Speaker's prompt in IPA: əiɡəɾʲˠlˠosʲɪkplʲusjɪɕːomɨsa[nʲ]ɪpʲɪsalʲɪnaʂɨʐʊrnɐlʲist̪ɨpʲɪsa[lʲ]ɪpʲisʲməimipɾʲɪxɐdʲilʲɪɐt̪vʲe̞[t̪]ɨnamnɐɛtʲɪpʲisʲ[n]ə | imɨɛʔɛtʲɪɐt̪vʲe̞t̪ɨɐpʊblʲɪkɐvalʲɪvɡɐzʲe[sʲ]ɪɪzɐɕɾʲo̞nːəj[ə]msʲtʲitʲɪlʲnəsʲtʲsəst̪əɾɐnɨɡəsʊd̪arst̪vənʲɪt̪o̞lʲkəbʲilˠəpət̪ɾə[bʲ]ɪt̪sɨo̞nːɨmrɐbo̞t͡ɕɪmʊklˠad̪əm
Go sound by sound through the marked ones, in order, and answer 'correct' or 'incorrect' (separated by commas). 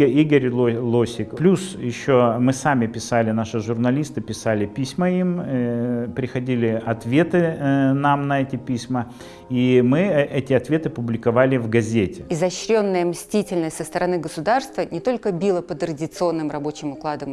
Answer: incorrect, correct, correct, incorrect, incorrect, correct, incorrect